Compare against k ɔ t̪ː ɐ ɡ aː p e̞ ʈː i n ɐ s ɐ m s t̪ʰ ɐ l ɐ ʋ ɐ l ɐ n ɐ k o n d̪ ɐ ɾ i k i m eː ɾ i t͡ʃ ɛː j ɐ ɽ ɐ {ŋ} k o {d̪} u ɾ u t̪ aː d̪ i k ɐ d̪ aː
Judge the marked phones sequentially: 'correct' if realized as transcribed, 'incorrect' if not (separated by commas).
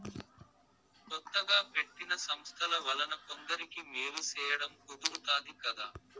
incorrect, correct